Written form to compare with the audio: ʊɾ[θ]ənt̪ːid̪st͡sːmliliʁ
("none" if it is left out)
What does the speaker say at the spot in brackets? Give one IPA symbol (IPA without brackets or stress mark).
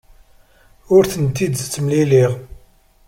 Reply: θ